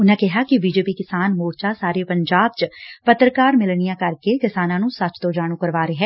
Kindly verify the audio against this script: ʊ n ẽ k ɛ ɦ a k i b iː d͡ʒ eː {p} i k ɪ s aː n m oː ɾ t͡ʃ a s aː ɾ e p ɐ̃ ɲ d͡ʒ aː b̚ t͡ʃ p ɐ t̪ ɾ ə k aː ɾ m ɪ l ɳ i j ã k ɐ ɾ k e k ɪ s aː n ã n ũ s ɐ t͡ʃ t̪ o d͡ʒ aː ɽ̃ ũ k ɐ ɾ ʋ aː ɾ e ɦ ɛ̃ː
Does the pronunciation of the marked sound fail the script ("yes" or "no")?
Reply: no